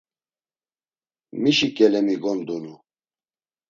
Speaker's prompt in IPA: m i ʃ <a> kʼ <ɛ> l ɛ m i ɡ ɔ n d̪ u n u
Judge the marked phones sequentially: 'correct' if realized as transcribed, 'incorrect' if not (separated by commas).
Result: incorrect, correct